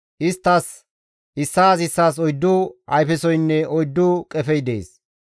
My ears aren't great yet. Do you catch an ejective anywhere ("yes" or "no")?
yes